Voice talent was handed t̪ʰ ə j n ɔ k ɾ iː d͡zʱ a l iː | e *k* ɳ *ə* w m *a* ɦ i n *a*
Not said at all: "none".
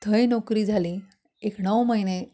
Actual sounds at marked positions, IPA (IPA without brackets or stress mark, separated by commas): k, ə, ə, e